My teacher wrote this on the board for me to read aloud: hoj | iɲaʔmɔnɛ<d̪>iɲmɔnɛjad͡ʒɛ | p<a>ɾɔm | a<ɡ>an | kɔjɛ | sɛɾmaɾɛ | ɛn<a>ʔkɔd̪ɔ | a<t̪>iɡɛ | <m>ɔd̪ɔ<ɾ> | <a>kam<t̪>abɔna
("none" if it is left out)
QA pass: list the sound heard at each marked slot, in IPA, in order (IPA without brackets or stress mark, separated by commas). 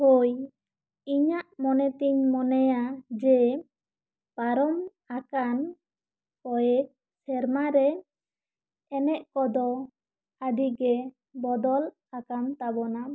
t̪, a, k, ɛ, d̪, b, l, a, t̪